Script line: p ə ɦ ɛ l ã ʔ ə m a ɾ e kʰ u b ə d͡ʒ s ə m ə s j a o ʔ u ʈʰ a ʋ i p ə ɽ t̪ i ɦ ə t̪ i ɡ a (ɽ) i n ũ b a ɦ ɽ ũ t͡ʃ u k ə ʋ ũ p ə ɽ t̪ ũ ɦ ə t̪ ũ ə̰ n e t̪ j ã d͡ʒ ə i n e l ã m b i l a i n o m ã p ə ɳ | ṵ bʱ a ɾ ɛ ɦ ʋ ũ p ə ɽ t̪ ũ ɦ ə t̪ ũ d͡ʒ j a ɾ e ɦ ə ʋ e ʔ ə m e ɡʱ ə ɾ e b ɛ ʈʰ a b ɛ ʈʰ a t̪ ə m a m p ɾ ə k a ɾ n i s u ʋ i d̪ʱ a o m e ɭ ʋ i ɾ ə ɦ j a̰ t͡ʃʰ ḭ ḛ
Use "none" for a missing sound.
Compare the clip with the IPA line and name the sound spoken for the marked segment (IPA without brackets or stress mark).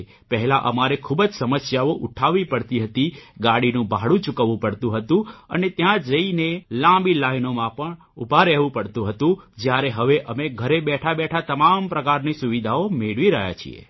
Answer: ɽ